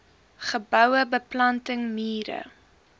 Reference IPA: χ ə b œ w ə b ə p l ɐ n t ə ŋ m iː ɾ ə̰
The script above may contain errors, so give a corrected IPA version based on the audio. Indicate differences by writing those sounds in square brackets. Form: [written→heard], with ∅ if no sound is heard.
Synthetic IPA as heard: χ ə b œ w ə b ə p l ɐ n t ə ŋ m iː ɾ ə̰